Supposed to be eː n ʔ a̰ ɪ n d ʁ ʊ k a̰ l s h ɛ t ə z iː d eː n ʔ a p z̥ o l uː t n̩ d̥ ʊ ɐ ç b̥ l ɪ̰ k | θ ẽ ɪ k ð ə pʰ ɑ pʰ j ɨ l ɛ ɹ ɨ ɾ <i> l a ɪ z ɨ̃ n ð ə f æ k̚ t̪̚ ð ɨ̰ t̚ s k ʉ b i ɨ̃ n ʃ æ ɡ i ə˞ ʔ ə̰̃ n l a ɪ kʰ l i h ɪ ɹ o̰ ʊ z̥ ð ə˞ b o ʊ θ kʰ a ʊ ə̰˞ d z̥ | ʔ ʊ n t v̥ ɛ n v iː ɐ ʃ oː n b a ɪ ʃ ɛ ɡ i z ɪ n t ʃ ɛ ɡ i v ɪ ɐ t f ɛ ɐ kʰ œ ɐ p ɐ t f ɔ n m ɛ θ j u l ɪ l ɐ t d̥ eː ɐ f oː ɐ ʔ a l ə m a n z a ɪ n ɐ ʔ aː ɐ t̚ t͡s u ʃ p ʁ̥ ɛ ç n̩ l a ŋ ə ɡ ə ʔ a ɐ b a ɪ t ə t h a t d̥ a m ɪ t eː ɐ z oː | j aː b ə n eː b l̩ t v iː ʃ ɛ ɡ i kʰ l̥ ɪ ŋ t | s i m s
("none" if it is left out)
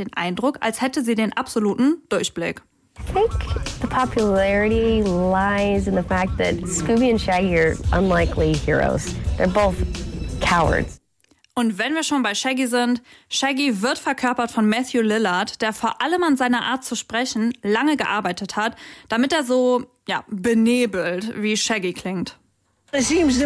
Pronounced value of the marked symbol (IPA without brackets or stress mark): i